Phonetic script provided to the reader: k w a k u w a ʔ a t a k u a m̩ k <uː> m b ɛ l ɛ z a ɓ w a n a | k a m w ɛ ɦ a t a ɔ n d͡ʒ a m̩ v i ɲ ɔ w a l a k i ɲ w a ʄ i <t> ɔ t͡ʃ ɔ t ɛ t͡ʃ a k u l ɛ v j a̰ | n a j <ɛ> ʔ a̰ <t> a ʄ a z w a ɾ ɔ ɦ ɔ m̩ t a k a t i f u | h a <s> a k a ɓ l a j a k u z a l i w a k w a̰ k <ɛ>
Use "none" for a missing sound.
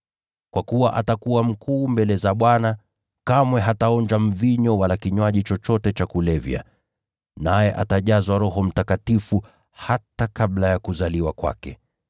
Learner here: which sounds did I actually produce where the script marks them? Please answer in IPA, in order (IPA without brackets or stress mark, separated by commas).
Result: uː, t͡ʃ, ɛ, t, t, ɛ